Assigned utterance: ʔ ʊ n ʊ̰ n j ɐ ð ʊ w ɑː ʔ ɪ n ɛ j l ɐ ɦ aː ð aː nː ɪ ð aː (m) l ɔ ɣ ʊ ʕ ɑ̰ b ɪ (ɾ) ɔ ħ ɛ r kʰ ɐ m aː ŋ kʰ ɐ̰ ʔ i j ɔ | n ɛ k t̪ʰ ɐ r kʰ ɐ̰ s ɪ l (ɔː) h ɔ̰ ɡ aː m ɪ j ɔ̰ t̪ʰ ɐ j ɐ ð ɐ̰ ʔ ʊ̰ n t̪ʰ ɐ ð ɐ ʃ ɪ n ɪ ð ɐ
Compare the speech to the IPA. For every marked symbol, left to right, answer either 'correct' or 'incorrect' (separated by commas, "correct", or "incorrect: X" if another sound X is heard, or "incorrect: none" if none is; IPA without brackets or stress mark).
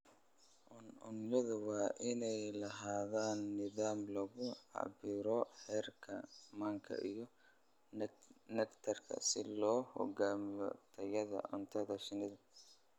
correct, correct, correct